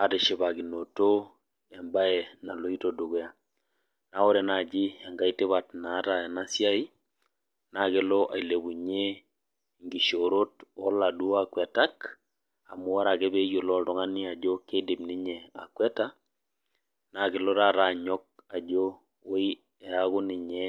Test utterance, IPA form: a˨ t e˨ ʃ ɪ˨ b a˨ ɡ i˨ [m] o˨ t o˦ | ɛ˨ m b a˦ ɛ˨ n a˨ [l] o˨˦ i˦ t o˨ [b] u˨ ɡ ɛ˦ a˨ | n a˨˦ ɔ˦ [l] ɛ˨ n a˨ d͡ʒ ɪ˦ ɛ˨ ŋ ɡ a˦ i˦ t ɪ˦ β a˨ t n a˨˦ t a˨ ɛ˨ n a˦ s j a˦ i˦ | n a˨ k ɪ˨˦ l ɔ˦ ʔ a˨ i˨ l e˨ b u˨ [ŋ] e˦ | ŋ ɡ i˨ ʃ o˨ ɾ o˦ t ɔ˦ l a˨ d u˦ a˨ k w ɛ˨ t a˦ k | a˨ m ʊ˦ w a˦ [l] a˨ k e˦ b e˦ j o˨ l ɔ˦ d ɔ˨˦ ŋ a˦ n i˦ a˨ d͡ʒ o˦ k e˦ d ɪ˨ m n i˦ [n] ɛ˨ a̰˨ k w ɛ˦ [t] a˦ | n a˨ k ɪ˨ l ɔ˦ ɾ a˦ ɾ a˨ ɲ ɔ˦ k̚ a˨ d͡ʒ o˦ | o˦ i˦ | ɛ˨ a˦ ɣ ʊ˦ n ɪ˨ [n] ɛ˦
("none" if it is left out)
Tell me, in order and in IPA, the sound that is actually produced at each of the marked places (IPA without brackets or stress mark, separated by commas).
n, l, d, ɾ, ɲ, ɾ, ɲ, t, ɲ